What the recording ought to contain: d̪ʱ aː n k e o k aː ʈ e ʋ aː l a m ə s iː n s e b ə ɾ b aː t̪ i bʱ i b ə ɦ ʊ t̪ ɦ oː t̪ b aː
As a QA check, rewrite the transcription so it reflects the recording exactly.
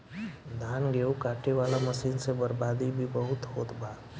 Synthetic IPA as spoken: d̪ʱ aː n ɡ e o k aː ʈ e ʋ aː l a m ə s iː n s e b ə ɾ b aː d̪ i bʱ i b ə ɦ ʊ t̪ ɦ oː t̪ b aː